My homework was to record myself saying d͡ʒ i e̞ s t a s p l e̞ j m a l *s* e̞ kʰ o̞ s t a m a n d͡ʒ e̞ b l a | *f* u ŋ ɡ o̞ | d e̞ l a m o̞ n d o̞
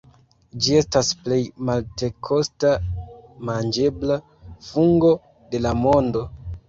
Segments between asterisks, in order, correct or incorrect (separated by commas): incorrect, correct